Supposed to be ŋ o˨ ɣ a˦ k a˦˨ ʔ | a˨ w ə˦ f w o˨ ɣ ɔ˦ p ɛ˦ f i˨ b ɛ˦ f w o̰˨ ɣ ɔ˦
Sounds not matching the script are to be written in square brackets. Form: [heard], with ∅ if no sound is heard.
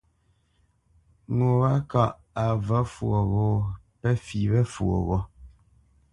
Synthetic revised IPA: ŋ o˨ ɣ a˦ k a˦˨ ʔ | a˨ [v] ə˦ f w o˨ ɣ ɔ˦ p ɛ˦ f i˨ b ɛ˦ f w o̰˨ ɣ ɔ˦